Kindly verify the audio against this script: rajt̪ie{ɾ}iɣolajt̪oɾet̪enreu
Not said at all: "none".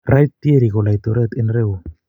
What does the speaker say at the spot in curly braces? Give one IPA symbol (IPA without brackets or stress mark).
ɾ